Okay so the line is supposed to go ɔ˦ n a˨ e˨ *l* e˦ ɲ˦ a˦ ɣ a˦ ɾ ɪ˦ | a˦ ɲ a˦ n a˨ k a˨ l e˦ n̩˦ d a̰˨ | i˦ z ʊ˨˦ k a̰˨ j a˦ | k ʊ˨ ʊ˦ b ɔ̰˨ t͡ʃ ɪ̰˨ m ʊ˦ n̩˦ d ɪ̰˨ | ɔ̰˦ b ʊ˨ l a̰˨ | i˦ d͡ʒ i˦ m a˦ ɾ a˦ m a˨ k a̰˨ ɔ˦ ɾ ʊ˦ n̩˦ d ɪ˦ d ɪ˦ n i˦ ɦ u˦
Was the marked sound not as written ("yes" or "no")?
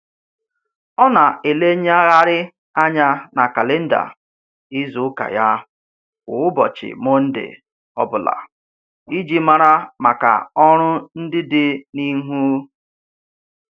no